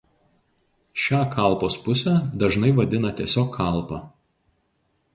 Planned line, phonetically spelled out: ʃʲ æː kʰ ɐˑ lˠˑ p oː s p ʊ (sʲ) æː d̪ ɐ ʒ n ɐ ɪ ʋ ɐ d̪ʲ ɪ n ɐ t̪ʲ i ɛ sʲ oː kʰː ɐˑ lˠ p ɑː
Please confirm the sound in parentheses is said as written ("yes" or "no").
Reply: yes